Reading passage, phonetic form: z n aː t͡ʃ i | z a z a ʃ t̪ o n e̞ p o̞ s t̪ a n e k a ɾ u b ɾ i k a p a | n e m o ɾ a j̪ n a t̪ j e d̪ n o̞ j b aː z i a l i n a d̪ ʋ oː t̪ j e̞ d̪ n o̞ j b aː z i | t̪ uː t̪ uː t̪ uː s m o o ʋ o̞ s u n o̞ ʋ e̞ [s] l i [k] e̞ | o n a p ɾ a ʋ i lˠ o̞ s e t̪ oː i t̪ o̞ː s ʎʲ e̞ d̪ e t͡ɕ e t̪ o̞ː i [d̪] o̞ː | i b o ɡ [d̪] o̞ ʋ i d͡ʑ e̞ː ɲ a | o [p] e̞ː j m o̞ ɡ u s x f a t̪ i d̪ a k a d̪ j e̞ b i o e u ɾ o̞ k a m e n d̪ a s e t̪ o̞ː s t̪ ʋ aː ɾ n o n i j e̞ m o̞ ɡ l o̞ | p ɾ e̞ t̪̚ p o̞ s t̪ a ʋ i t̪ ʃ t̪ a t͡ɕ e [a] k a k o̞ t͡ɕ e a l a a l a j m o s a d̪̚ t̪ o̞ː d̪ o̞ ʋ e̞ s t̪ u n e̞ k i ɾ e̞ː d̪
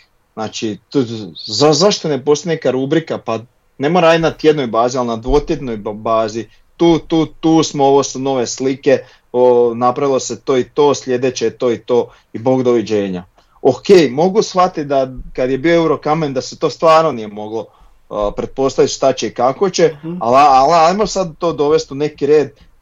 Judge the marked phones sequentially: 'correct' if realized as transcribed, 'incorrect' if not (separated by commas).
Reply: correct, correct, incorrect, correct, incorrect, incorrect